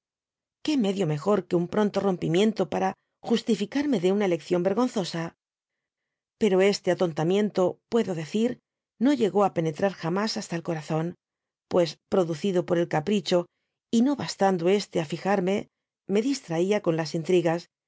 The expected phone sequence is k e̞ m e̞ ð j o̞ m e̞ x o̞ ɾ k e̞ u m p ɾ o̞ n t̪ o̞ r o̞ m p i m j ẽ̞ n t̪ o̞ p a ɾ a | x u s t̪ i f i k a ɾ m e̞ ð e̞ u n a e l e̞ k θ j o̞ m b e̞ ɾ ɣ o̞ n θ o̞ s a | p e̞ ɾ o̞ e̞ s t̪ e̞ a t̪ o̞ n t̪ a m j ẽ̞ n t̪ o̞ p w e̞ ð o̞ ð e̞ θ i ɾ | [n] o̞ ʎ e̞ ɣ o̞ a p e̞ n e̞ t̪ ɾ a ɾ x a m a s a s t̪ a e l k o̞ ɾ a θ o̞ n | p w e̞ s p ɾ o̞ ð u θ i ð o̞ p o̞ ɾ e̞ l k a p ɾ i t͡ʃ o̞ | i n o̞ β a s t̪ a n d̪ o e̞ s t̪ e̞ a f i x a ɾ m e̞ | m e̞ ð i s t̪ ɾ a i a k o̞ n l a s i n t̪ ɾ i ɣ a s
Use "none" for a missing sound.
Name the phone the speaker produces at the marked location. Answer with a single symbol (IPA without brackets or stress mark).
n